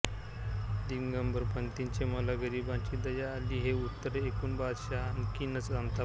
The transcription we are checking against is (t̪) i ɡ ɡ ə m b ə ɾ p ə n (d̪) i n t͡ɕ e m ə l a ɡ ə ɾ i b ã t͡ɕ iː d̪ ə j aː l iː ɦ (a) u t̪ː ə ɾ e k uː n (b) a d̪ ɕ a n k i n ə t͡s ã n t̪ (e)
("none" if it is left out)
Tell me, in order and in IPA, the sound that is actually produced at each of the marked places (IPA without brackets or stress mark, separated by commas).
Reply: d̪, t̪, e, b, a